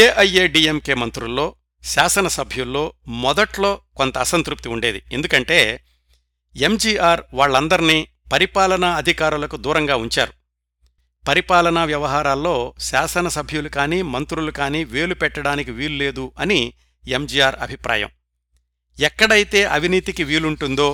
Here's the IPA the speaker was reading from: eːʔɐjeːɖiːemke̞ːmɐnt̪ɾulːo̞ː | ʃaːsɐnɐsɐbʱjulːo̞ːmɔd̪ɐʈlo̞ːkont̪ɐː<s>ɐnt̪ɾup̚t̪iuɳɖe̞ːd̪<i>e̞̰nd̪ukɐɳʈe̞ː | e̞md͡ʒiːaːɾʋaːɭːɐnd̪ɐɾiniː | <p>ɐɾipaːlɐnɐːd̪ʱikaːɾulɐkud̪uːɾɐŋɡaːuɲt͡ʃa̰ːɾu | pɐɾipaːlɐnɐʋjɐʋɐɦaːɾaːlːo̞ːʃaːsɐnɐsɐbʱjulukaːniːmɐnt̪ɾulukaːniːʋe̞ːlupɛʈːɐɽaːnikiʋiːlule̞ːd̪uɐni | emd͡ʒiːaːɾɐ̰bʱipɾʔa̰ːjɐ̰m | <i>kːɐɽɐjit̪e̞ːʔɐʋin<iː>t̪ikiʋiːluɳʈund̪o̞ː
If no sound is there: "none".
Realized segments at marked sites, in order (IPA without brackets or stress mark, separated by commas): s, i, p, ɛ, iː